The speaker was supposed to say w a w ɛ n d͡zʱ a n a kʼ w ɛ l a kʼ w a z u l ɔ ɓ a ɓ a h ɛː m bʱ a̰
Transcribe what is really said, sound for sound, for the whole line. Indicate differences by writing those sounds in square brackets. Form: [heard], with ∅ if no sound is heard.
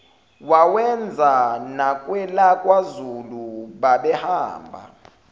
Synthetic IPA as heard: w a w ɛ n d͡zʱ a n a kʼ w ɛ l a kʼ w a z u l [u] ɓ a ɓ [ɛ] h [aː] m bʱ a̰